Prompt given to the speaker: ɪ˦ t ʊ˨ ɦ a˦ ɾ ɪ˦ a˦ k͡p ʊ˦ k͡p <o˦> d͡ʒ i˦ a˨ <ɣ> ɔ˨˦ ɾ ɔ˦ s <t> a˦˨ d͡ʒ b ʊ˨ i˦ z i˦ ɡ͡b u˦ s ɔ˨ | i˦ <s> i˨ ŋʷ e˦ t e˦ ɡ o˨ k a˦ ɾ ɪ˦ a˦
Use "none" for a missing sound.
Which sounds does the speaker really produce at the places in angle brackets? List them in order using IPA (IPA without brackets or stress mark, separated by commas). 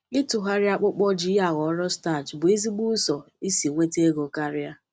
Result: ɔ˦, ɣ, t, s